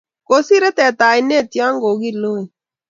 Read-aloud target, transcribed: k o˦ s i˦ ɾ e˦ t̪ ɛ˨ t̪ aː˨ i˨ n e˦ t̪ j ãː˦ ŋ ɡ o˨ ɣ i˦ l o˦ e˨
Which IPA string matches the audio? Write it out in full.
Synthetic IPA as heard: k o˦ s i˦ ɾ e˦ t̪ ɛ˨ t̪ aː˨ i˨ n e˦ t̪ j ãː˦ ŋ ɡ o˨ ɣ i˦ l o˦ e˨